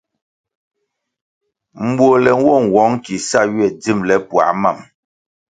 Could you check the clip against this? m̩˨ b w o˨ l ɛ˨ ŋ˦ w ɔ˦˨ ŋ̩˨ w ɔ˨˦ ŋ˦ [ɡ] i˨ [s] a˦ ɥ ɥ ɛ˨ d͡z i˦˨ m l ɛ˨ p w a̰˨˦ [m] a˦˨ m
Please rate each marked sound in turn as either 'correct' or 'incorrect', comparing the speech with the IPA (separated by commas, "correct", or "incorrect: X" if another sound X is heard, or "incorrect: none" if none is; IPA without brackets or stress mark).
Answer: incorrect: k, correct, correct